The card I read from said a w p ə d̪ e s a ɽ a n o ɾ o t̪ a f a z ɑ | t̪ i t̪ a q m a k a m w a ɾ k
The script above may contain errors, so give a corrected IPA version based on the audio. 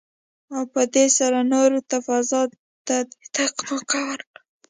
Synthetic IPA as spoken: a w p ə d̪ e s a ɾ a n o ɾ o t̪ a f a z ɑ | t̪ a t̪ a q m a k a w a ɾ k